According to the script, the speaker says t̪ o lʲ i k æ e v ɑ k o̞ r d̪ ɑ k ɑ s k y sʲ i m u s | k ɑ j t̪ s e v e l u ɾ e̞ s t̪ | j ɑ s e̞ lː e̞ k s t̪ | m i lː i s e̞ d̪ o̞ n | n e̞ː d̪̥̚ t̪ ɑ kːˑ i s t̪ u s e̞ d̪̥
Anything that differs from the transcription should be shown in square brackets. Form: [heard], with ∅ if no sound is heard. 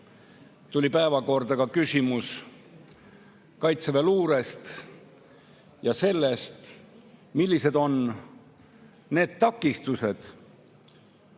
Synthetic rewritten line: t̪ [u] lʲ i [p] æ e v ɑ k o̞ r d̪ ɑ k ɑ [∅] k y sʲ i m u s | k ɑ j t̪ s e v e l [uː] ɾ e̞ s t̪ | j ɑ s e̞ lː e̞ [∅] s t̪ | m i lː i s e̞ d̪ o̞ n | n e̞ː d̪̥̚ t̪ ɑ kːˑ i s t̪ u s e̞ d̪̥